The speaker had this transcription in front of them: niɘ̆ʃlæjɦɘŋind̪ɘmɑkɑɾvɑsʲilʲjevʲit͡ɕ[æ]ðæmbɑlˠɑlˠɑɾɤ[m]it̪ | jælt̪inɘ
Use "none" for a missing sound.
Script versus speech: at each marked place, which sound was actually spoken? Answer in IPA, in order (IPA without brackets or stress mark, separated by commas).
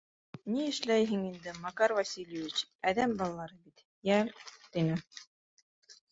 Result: æ, b